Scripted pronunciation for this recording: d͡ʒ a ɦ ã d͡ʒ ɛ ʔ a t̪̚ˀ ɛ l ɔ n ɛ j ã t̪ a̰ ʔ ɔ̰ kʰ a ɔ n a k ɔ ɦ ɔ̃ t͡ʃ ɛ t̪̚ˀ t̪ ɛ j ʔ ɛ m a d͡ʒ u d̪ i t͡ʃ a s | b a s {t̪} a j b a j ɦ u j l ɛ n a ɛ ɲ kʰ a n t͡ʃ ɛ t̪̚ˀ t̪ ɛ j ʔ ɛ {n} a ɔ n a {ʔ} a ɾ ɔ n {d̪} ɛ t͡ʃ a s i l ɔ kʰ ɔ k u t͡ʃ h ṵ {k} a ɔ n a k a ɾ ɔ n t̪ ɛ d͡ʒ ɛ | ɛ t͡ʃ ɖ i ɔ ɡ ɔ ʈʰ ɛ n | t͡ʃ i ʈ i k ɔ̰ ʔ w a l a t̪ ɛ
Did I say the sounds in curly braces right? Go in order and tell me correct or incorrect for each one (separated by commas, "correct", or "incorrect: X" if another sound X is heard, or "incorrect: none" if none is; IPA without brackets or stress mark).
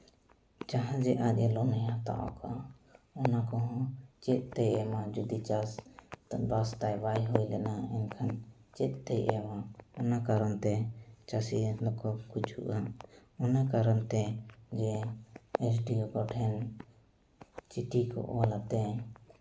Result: correct, incorrect: m, incorrect: k, incorrect: t̪, incorrect: ʔ